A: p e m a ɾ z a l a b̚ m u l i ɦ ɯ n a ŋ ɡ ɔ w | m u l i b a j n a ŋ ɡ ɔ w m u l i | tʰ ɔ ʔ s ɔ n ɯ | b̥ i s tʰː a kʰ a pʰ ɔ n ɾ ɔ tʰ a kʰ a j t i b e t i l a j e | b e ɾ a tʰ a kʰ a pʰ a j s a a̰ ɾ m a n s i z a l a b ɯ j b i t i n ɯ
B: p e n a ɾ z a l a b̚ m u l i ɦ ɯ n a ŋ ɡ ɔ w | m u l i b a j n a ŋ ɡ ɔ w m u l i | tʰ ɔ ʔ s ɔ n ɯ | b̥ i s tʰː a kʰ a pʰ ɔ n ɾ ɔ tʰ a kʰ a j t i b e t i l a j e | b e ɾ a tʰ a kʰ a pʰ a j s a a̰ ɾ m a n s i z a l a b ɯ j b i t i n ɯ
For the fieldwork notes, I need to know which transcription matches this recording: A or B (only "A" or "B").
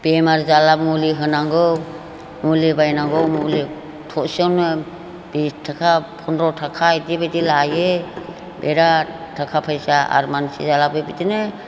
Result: A